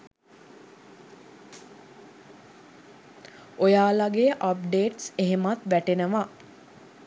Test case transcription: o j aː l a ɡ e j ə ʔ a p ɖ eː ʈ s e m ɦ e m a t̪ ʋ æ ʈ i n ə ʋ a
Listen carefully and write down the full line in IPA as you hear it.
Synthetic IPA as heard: o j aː l a ɡ e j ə ʔ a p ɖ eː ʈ s e ɦ e m a t̪ ʋ æ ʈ e n ə ʋ a